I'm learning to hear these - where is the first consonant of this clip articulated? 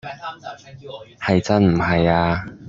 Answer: throat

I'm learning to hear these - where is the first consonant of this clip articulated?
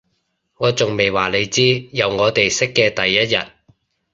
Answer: velum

